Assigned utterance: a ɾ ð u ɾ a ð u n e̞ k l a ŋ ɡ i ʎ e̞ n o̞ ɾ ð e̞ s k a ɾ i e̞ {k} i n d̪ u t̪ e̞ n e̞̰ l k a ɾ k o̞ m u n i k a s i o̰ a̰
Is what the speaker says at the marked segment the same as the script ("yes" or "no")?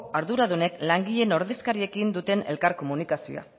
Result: yes